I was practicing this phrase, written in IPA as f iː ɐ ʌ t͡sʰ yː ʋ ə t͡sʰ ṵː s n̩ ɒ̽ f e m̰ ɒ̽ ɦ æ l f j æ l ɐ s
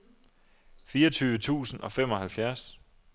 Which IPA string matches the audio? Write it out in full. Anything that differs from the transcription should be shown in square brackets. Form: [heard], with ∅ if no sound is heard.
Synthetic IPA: f iː ɐ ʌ t͡sʰ yː ʋ ə t͡sʰ ṵː s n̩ ɒ̽ f e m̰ ɒ̽ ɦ æ l f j æ [∅] ɐ s